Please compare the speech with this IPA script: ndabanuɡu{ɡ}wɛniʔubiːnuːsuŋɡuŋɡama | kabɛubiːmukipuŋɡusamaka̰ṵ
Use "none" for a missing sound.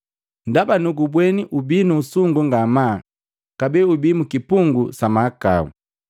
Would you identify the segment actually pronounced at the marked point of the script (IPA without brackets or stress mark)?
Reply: b